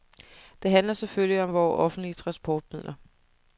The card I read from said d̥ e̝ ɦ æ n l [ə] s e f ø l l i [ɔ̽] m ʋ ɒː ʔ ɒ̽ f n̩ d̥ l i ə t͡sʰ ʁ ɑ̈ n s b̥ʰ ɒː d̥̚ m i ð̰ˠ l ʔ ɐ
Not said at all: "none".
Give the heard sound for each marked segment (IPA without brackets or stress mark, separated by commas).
ɐ, ɒ̽